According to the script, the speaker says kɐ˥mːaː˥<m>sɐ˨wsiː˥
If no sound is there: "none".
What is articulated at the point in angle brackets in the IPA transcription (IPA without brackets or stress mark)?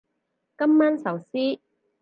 n